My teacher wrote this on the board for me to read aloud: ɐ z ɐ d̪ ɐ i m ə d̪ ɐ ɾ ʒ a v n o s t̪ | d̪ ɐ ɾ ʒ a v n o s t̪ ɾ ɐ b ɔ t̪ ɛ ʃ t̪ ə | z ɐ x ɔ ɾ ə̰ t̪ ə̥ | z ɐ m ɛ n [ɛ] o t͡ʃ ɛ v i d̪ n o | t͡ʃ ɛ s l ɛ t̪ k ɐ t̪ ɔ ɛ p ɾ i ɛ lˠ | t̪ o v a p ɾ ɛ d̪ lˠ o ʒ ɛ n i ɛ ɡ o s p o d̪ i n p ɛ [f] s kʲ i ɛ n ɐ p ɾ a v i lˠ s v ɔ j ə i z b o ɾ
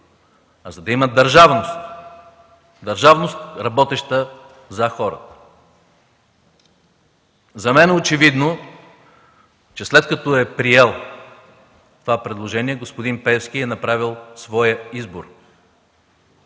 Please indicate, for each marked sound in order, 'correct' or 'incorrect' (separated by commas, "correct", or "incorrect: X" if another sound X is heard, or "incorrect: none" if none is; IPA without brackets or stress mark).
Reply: correct, correct